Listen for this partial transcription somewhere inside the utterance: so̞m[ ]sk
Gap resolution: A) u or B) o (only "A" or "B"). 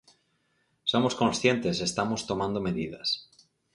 B